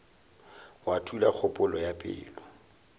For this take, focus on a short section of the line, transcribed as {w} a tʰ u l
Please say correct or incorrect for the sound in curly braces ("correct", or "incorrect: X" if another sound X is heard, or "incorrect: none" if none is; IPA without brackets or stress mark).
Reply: correct